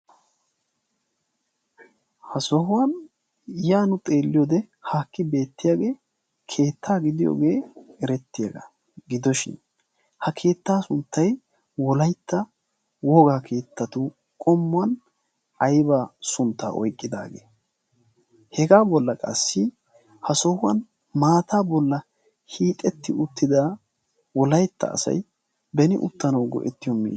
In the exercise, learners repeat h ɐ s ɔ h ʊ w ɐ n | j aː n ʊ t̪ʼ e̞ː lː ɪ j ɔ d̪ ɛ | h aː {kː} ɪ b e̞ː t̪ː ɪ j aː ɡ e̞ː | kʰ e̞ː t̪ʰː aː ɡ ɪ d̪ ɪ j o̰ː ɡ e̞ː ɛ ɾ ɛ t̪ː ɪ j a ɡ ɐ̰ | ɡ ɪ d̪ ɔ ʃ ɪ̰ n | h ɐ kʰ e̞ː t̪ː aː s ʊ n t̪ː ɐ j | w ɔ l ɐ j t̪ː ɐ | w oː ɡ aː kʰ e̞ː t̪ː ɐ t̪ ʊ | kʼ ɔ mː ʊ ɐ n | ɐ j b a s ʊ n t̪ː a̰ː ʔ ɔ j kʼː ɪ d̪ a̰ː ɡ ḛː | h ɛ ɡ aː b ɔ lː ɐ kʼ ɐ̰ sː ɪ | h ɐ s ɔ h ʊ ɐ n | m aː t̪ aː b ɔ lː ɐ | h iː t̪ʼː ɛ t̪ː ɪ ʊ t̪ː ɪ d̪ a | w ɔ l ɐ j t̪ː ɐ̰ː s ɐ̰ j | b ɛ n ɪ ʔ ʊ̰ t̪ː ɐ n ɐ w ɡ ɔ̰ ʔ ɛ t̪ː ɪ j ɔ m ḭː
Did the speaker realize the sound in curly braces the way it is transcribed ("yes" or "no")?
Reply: yes